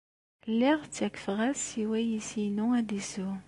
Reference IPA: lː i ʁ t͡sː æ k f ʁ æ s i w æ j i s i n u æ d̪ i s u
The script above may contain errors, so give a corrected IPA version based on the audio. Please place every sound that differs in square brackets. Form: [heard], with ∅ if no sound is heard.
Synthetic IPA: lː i ʁ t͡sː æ k f ʁ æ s i w æ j i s i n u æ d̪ i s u